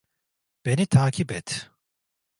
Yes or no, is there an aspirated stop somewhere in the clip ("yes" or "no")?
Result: yes